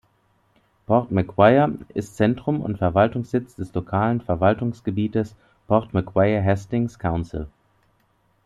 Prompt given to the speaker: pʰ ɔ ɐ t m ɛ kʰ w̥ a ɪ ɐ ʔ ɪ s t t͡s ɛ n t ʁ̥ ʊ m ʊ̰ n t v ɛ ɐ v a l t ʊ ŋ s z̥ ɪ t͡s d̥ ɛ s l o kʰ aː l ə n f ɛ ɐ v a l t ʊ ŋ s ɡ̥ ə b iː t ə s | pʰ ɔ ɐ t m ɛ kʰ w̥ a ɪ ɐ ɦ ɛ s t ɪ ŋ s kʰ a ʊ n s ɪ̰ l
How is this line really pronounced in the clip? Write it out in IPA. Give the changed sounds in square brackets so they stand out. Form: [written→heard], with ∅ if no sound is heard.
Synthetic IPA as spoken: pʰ ɔ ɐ t m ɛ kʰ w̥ a ɪ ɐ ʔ ɪ s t t͡s ɛ n t ʁ̥ ʊ m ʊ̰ n t [v→f] ɛ ɐ v a l t ʊ ŋ s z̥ ɪ t͡s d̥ ɛ s l o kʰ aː l ə n f ɛ ɐ v a l t ʊ ŋ s ɡ̥ ə b iː t ə s | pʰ ɔ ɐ t m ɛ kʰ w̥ a ɪ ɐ ɦ ɛ s t ɪ ŋ s kʰ a ʊ n s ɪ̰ l